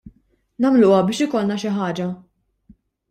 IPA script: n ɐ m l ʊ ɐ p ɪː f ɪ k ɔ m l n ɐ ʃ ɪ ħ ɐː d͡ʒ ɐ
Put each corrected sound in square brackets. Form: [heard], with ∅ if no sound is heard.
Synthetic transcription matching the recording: n ɐ m l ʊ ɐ [b] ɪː [ʃ] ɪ k ɔ [∅] l n ɐ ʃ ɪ ħ ɐː d͡ʒ ɐ